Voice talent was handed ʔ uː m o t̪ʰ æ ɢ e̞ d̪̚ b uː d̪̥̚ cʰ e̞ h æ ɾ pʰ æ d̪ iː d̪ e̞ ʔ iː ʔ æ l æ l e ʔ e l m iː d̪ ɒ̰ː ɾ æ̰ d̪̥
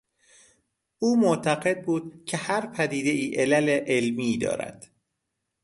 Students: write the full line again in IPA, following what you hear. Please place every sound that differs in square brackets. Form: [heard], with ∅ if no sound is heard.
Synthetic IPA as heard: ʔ uː m o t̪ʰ æ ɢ e̞ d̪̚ b uː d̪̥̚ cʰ e̞ h æ ɾ pʰ æ d̪ iː d̪ e̞ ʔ iː ʔ [e] l æ l e ʔ e l m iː d̪ ɒ̰ː ɾ æ̰ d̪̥